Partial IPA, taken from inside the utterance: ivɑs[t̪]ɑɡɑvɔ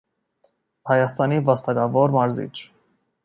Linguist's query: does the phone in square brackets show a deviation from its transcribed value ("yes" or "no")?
no